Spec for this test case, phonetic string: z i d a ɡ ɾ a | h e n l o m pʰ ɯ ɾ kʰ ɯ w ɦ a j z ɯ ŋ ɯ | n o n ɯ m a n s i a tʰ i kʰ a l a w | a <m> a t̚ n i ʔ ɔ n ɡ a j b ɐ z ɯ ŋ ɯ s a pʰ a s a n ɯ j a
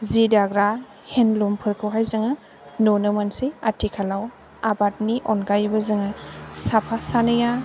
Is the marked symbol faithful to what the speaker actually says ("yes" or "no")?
no